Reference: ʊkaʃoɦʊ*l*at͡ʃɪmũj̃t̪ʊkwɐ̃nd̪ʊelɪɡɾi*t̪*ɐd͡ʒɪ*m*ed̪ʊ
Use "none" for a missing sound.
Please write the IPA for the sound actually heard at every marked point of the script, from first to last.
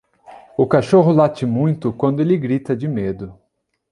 l, t̪, m

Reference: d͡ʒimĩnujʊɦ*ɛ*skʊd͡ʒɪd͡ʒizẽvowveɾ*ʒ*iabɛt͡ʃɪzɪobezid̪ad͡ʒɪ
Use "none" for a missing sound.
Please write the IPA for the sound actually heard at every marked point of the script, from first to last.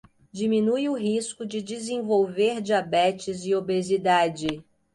i, d͡ʒ

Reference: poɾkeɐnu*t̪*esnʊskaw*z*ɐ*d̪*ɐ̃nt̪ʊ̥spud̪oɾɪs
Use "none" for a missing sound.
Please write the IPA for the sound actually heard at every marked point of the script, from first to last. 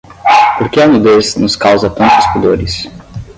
d̪, z, t̪

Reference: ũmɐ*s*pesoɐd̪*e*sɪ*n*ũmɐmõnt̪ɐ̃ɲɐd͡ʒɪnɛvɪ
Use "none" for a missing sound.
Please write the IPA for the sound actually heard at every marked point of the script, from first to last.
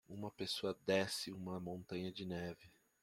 none, ɛ, none

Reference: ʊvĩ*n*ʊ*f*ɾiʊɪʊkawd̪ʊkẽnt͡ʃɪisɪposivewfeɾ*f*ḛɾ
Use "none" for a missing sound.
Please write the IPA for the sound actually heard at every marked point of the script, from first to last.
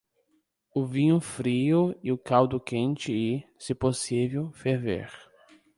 ɲ, f, v

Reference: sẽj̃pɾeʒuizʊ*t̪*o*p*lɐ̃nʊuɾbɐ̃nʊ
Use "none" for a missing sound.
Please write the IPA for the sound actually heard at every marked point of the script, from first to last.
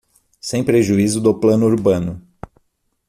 d̪, p

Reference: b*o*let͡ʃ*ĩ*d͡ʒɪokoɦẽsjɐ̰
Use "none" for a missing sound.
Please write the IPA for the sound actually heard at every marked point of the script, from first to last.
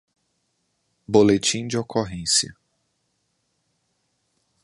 o, ĩ

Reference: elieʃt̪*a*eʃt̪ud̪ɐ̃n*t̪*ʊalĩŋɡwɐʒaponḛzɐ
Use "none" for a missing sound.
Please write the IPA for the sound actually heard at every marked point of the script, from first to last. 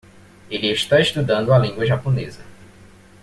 a, d̪

